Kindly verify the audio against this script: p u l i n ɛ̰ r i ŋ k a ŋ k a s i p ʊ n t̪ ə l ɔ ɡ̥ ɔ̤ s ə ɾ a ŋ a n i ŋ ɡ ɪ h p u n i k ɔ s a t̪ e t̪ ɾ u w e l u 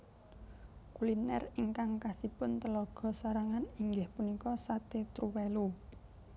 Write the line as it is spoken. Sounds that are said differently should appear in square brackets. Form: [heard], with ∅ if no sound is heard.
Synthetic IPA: [k] u l i n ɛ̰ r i ŋ k a ŋ k a s i p ʊ n t̪ ə l ɔ ɡ̥ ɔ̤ s [a] ɾ a ŋ a n i ŋ ɡ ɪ h p u n i k ɔ s a t̪ e t̪ ɾ u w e l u